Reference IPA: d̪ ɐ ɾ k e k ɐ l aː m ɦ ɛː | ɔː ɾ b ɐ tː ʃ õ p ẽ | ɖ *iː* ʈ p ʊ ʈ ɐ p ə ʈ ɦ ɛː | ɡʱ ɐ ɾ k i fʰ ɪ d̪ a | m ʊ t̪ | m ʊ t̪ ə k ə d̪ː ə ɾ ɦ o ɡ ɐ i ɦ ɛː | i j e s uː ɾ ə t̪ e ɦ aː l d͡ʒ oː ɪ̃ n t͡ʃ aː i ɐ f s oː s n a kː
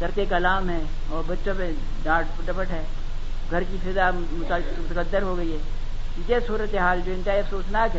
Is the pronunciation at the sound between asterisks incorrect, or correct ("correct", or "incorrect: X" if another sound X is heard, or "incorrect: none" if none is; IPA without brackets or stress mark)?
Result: incorrect: aː